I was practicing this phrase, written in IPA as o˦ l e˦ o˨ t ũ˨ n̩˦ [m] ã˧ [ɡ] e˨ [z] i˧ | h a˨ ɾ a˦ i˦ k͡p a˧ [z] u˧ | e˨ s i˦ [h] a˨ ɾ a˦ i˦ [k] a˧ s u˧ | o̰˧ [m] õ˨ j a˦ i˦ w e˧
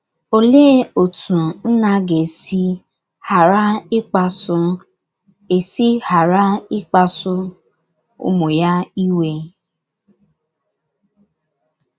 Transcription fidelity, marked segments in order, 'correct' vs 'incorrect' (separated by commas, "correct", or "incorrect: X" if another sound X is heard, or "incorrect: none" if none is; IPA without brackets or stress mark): incorrect: n, correct, incorrect: s, incorrect: s, correct, incorrect: k͡p, correct